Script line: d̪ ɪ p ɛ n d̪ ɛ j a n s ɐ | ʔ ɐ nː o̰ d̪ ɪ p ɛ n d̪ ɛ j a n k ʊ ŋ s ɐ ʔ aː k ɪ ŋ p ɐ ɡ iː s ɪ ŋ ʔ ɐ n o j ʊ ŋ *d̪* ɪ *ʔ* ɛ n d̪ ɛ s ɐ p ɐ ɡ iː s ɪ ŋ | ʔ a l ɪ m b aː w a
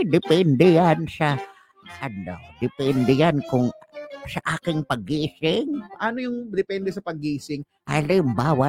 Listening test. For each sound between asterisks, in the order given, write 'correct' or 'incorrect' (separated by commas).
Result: correct, incorrect